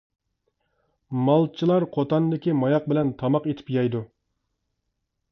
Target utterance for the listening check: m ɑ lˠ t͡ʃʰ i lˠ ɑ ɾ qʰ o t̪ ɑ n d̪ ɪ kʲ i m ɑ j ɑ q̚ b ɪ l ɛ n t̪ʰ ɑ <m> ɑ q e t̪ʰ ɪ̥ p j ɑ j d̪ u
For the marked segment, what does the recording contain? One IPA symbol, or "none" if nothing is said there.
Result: m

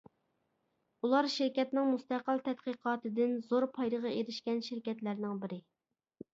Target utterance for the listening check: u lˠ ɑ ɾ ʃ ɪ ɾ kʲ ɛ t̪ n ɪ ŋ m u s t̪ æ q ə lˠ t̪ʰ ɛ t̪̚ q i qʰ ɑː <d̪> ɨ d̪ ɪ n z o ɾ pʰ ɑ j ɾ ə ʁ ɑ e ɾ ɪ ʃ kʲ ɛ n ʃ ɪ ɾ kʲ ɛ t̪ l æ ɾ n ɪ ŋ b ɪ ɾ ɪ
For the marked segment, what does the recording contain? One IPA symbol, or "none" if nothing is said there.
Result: t̪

